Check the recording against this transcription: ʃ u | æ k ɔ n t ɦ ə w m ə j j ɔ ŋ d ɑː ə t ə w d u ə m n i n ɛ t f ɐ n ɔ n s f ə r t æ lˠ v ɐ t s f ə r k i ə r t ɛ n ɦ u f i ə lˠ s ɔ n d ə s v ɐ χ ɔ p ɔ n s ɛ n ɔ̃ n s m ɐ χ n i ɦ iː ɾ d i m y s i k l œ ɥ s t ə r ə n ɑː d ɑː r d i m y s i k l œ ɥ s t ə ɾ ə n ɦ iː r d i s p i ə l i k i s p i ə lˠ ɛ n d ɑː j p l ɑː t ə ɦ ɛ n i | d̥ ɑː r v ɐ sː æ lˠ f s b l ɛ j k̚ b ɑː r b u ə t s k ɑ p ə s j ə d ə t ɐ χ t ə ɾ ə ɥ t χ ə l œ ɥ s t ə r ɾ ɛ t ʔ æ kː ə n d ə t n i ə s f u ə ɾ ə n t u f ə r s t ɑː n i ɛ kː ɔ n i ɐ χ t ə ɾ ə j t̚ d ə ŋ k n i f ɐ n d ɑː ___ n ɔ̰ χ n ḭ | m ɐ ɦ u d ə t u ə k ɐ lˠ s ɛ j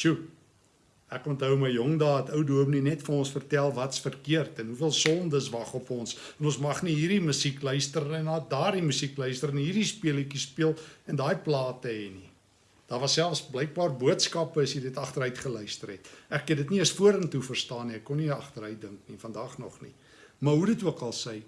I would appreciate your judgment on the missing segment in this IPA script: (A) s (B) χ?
B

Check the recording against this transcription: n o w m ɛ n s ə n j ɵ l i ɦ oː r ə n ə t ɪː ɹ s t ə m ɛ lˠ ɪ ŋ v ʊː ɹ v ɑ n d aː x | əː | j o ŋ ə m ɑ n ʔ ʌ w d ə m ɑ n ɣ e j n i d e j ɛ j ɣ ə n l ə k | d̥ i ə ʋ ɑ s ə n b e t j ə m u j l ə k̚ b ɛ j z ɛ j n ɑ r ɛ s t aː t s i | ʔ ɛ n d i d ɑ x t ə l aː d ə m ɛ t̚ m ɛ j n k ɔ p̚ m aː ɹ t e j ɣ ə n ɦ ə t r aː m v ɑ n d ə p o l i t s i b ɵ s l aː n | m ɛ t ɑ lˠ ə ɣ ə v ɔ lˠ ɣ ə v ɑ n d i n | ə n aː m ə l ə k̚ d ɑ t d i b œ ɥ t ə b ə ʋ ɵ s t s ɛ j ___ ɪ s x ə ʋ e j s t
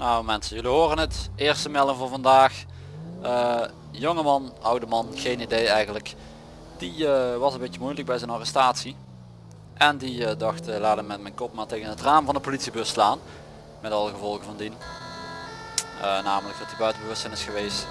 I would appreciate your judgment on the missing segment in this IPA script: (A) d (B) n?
B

